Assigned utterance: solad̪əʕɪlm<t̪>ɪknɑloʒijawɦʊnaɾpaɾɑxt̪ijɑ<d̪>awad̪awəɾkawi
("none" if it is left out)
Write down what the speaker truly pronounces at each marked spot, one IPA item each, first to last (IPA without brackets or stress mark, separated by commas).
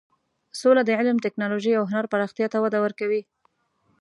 t̪, t̪